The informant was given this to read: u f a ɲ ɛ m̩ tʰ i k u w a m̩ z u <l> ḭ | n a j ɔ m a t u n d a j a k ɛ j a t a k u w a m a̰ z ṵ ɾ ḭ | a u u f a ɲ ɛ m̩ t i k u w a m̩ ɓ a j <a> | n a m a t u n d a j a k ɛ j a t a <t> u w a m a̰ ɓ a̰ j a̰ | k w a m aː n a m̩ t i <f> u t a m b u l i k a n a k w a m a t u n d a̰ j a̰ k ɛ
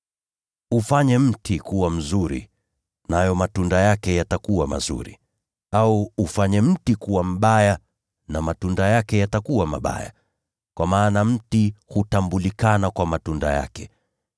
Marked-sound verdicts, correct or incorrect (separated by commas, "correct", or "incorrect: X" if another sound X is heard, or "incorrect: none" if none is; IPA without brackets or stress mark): incorrect: ɾ, correct, incorrect: k, incorrect: h